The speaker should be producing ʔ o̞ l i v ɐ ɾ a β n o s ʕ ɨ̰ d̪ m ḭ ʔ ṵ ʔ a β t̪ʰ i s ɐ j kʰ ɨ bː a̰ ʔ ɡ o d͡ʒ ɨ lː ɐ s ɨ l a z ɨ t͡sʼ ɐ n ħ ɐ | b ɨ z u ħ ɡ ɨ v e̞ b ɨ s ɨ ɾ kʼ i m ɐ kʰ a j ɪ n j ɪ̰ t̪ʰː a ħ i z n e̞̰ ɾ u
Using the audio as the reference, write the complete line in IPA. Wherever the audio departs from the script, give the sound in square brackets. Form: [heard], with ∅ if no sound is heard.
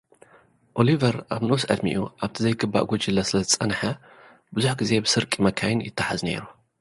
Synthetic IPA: ʔ o̞ l i v ɐ ɾ a β n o s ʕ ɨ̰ d̪ m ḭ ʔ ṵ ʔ a β t̪ʰ i [z] ɐ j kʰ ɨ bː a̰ ʔ ɡ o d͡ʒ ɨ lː ɐ s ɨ l [ɐ] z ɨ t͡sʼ ɐ n ħ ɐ | b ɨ z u ħ ɡ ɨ [z] e̞ b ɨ s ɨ ɾ kʼ i m ɐ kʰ a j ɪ n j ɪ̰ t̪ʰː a ħ [a] z n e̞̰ ɾ u